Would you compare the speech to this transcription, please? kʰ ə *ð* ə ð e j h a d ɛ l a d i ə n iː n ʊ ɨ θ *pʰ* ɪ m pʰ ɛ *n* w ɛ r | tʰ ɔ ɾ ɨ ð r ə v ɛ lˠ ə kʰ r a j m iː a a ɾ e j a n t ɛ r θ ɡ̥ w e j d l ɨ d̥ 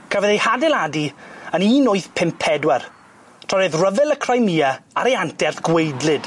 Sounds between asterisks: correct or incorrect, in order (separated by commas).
incorrect, correct, incorrect